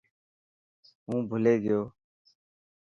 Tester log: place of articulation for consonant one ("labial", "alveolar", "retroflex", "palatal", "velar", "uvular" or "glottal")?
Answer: glottal